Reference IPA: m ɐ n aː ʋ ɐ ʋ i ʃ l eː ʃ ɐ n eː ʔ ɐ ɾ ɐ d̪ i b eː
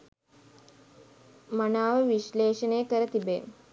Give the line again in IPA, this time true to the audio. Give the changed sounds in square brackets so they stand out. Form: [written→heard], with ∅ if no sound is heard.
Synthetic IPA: m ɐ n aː ʋ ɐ ʋ i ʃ l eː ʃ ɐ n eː [ʔ→k] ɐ ɾ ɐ [d̪→t̪] i b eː